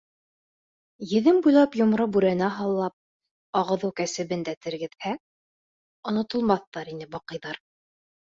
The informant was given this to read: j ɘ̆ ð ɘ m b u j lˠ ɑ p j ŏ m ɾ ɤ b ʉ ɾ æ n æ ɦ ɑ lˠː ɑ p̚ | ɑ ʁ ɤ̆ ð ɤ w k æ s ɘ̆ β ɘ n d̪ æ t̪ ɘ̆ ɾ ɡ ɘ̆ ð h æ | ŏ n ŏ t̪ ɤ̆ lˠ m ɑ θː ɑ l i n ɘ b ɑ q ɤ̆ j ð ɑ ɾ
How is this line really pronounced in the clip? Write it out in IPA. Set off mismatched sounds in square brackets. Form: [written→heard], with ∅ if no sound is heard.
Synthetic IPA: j ɘ̆ ð ɘ m b u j lˠ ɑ p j ŏ m ɾ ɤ b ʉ ɾ æ n æ ɦ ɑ lˠː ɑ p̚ | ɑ ʁ ɤ̆ ð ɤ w k æ s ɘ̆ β ɘ n d̪ æ t̪ ɘ̆ ɾ ɡ ɘ̆ ð h æ | ŏ n ŏ t̪ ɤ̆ lˠ m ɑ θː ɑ [l→ɾ] i n ɘ b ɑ q ɤ̆ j ð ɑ ɾ